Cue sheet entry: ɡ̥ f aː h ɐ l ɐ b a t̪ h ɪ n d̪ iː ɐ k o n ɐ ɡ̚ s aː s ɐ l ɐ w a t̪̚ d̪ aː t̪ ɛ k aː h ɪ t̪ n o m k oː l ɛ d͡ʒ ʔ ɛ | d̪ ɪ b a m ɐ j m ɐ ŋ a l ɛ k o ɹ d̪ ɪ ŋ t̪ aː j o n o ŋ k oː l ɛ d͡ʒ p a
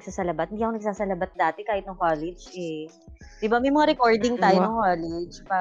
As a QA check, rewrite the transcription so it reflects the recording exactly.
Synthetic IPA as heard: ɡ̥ s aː s ɐ l ɐ b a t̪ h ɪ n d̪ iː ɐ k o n ɐ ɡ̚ s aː s ɐ l ɐ b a t̪̚ d̪ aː t̪ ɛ k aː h ɪ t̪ n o ŋ k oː l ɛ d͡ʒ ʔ ɛ | d̪ ɪ b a m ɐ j m ɐ ŋ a ɾ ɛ k o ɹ d̪ ɪ ŋ t̪ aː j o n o ŋ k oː l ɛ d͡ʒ p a